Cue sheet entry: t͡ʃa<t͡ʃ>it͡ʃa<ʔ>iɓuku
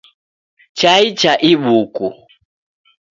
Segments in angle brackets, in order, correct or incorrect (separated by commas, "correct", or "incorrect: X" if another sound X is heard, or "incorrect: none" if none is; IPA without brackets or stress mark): incorrect: none, correct